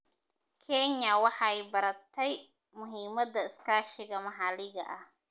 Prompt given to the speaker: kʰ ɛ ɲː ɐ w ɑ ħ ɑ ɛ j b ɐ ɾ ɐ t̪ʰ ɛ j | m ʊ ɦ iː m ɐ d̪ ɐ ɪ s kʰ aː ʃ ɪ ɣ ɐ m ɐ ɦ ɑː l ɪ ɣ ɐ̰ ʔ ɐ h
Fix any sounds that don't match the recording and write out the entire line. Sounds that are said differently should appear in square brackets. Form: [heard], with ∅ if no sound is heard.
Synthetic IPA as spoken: kʰ ɛ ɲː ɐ w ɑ ħ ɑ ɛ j b ɐ ɾ ɐ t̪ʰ ɛ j | m ʊ ɦ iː m ɐ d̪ ɐ ɪ s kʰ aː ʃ ɪ ɣ ɐ m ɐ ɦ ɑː l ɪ ɣ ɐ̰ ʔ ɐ h